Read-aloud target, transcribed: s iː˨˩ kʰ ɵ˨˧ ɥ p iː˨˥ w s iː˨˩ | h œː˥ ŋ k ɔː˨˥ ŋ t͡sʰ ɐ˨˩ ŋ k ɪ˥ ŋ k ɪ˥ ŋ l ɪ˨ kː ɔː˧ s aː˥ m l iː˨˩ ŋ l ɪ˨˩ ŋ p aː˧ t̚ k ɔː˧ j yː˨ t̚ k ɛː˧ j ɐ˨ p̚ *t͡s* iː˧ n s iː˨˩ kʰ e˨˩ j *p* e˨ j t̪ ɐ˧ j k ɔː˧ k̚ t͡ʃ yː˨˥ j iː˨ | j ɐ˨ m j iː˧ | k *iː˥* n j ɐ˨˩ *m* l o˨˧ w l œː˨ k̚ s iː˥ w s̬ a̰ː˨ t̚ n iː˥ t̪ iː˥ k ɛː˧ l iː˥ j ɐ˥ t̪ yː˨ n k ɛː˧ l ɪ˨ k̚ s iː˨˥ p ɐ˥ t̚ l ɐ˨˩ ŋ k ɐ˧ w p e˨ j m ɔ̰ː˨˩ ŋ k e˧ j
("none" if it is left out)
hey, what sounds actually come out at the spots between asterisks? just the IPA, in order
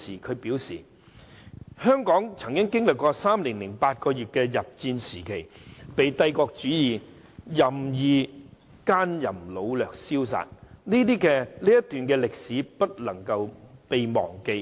t͡s, p, aː˥, m

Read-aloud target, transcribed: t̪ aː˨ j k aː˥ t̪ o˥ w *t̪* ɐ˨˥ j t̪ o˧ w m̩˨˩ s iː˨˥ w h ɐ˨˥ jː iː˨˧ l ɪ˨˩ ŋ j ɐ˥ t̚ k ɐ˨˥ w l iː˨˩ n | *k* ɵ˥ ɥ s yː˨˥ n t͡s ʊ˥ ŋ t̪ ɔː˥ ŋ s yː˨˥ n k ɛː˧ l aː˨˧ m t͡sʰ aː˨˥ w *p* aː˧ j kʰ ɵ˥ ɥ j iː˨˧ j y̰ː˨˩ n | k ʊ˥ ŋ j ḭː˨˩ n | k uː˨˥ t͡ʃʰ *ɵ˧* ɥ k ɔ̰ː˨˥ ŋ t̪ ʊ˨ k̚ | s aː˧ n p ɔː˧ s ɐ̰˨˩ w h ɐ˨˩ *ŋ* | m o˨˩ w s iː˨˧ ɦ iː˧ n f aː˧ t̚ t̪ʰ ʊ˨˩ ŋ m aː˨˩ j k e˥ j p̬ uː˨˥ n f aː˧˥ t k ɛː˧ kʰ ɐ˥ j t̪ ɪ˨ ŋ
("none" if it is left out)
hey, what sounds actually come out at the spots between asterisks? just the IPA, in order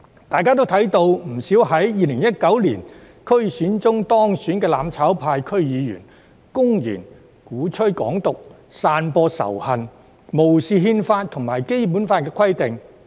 t̪ʰ, kʰ, pʰ, ɵ˥, n

